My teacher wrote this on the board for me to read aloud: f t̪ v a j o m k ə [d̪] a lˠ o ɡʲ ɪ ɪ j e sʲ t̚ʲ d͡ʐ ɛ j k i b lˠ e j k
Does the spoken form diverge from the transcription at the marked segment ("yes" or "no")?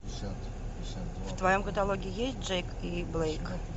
yes